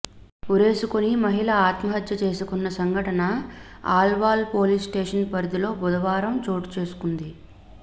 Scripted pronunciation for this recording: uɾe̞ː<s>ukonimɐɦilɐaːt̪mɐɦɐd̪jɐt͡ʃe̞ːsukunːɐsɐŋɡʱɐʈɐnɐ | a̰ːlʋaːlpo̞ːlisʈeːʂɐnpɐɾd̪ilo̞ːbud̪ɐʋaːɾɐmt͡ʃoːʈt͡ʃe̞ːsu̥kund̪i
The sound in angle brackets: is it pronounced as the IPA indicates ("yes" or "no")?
yes